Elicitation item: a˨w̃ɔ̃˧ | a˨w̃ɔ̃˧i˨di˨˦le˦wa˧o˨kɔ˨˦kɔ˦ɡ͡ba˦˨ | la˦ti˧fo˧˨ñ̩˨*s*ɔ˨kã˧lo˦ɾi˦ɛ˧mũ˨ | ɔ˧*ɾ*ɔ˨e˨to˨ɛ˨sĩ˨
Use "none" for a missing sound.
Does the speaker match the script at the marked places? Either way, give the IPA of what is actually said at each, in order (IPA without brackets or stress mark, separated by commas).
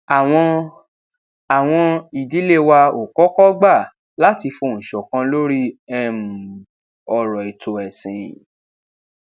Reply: ʃ, ɾ